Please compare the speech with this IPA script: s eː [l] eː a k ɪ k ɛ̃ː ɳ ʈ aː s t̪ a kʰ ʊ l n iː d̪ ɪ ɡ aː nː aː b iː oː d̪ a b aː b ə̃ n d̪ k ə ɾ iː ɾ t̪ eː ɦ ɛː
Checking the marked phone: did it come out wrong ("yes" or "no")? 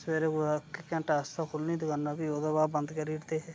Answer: yes